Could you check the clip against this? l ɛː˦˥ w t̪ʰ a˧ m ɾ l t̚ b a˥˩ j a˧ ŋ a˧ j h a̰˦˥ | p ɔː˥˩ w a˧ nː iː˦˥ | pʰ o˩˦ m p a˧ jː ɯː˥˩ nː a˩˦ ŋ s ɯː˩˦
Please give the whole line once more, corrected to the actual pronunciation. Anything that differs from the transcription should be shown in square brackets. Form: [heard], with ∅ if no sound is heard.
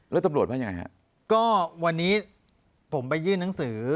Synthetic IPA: l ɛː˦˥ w [t̪] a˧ m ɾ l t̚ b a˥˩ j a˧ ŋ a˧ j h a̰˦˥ | [k] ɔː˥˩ w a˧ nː iː˦˥ | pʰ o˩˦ m p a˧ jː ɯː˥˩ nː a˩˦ ŋ s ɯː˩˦